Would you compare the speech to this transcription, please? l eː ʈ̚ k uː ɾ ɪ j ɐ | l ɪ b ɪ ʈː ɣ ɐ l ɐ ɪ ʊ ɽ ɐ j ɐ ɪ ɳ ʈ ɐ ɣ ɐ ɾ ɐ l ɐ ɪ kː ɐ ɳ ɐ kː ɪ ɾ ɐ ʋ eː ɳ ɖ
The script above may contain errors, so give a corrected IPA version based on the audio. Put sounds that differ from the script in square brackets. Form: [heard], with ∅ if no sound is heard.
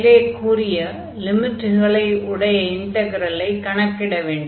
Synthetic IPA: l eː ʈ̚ k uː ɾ ɪ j ɐ | l ɪ [m] ɪ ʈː ɣ ɐ [ɭ] ɐ ɪ ʊ ɽ ɐ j ɐ ɪ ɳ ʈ ɐ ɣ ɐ ɾ ɐ l ɐ ɪ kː ɐ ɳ ɐ kː ɪ [ɽ] ɐ ʋ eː ɳ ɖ